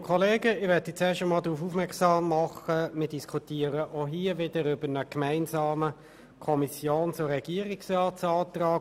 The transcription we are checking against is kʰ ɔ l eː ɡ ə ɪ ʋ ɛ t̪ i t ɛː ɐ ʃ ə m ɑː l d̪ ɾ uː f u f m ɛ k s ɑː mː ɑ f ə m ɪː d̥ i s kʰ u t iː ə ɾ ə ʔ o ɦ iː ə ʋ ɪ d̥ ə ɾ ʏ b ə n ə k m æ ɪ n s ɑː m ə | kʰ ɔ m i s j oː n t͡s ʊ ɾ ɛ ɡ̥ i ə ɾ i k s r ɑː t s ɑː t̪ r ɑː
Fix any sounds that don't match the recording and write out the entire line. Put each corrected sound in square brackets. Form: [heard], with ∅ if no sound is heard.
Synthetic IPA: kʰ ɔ l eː ɡ ə ɪ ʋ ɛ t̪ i [t͡s] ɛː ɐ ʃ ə m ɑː l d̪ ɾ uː f u f m ɛ k s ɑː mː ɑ [χ] ə m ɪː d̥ i s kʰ u t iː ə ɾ ə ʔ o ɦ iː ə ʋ ɪ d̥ ə ɾ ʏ b ə n ə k m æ ɪ n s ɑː m ə | kʰ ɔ m i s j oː n t͡s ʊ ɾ ɛ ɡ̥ i ə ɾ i k s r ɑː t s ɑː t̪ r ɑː